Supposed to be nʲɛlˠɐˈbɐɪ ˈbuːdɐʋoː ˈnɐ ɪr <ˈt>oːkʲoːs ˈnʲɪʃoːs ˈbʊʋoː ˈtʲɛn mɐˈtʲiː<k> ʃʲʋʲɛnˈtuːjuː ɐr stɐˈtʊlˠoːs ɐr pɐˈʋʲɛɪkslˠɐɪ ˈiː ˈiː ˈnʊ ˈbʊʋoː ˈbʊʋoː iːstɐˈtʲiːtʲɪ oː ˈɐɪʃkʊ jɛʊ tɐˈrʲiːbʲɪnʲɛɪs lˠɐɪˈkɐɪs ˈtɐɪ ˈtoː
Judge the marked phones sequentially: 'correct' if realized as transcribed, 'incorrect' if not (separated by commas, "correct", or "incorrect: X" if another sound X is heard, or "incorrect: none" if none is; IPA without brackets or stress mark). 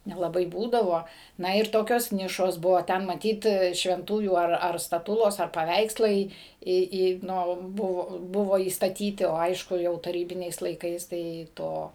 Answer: correct, incorrect: t